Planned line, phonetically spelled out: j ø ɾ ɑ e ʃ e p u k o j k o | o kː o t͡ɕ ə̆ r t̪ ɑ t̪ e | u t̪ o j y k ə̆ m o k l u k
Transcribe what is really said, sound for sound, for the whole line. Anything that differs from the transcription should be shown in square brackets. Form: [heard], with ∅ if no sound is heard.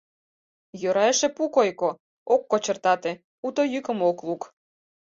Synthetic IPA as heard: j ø ɾ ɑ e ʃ e p u k o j k o | o kː o t͡ɕ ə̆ r t̪ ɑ t̪ e | u t̪ o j y k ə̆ m o k l u k

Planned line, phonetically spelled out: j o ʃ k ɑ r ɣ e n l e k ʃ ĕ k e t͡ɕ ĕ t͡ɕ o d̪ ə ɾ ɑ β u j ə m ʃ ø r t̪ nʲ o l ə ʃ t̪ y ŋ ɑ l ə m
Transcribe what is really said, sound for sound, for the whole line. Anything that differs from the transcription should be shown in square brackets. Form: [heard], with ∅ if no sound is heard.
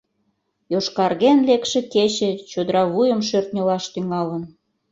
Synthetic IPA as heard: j o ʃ k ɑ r ɣ e n l e k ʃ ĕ k e t͡ɕ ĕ t͡ɕ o d̪ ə ɾ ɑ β u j ə m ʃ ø r t̪ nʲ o l [ɑ] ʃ t̪ y ŋ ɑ l ə [n]

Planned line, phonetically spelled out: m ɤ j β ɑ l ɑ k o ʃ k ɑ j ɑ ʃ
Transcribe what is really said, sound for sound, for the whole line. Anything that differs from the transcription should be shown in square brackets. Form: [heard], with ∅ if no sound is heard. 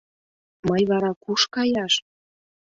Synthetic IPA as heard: m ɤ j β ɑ [ɾ] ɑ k [u] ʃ k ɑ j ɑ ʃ

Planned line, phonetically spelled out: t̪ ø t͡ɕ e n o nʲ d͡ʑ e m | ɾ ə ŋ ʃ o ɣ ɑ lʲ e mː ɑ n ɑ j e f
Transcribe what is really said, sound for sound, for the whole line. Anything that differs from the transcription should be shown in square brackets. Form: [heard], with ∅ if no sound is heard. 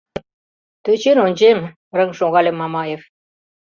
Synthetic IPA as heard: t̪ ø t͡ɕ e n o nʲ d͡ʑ e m | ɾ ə ŋ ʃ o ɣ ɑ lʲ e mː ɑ [m] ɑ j e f

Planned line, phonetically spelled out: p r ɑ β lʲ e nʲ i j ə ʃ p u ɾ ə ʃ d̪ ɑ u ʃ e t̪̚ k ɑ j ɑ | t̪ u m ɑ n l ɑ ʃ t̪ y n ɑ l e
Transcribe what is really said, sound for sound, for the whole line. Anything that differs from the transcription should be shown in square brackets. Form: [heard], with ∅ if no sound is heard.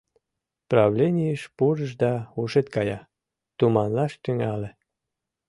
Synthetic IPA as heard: p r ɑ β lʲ e nʲ i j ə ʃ p u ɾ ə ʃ d̪ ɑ u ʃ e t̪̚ k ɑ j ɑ | t̪ u m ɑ n l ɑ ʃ t̪ y [ŋ] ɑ l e

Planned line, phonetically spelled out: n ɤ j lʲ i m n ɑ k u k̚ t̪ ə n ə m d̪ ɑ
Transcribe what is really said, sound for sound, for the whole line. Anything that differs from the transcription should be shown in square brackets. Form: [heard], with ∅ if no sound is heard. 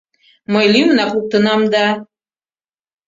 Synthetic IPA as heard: [m] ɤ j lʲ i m n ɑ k u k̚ t̪ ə n [ɑ] m d̪ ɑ

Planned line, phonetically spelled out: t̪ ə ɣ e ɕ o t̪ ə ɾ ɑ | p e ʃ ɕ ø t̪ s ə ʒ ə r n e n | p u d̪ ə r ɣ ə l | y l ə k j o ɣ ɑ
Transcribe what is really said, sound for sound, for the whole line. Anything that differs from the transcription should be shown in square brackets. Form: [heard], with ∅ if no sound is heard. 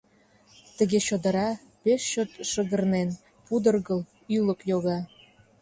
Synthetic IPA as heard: t̪ ə ɣ e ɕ o [d̪] ə ɾ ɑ | p e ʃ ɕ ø t̪ [ʃ] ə [ɣ] ə r n e n | p u d̪ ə r ɣ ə l | y l ə k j o ɣ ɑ

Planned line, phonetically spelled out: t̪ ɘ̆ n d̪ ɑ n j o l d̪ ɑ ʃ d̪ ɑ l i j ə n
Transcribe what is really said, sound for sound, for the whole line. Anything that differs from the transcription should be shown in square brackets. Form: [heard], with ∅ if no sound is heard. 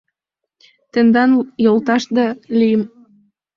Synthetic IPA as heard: t̪ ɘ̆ n d̪ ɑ n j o l [t̪] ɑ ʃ d̪ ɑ l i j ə [m]

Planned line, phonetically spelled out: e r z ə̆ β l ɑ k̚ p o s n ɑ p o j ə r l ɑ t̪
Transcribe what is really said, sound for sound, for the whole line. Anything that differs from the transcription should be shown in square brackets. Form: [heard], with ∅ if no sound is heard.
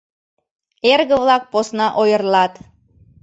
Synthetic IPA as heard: e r [ɣ] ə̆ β l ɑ k̚ p o s n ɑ [ʔ] o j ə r l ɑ t̪

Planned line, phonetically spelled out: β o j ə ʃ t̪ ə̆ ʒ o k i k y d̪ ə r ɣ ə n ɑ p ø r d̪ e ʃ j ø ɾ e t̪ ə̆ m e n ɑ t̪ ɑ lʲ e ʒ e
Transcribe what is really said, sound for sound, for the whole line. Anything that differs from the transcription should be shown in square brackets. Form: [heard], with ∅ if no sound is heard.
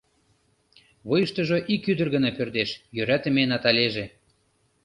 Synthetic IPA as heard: β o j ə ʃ t̪ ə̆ ʒ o [ʔ] i k y d̪ ə r ɣ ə n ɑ p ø r d̪ e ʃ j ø ɾ [æ] t̪ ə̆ m e n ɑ t̪ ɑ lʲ e ʒ e

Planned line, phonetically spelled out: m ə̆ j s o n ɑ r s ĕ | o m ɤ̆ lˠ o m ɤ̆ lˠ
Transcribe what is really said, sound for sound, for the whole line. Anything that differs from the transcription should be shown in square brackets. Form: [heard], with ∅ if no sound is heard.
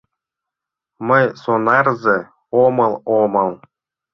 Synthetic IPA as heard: m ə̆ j s o n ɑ r [z] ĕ | o m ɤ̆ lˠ o m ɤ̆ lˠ

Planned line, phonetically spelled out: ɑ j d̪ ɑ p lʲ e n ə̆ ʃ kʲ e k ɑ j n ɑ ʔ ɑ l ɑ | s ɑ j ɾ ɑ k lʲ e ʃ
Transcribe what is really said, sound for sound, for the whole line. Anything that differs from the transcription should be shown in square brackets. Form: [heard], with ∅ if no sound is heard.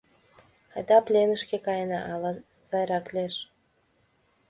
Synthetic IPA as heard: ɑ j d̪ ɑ p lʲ e n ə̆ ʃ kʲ e k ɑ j n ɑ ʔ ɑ l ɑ | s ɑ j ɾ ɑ k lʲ e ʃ

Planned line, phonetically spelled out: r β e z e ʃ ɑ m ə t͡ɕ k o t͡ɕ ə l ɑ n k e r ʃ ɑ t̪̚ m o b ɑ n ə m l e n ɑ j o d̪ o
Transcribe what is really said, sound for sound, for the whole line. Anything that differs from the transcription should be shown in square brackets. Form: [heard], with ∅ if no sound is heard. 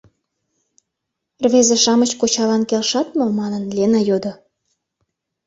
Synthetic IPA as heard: r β e z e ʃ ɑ m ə t͡ɕ k o t͡ɕ [ɑ] l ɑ n k e [l] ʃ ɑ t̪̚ m o [m] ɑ n ə [n] l e n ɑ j o d̪ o

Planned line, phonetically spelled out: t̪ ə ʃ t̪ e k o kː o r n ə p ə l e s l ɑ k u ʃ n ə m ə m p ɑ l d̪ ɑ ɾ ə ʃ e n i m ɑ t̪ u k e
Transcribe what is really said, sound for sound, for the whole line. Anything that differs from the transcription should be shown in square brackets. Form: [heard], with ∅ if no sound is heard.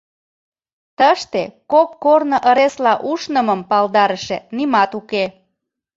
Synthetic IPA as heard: t̪ ə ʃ t̪ e k o kː o r n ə [ʔ] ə [ɾ] e s l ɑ [ʔ] u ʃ n ə m ə m p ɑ l d̪ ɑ ɾ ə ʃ e n i m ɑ t̪ u k e

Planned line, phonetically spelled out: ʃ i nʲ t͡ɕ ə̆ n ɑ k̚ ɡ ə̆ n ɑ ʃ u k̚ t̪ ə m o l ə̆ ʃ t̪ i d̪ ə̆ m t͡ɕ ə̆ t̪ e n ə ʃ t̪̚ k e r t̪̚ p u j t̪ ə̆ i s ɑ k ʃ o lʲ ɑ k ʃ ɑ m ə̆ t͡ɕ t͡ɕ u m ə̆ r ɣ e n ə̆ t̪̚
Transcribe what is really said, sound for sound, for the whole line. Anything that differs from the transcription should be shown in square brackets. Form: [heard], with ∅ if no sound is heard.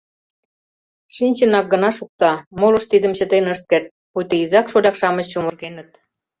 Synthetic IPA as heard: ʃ i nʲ t͡ɕ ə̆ n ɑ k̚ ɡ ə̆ n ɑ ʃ u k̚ t̪ [ɑ] m o l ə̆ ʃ t̪ i d̪ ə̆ m t͡ɕ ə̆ t̪ e n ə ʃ t̪̚ k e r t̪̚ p u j t̪ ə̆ i [z] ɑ k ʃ o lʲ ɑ k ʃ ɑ m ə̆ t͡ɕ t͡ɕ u m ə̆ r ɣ e n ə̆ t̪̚

